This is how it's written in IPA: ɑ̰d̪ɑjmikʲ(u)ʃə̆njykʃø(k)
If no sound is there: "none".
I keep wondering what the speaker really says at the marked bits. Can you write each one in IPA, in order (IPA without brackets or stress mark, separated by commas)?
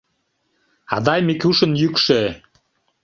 u, none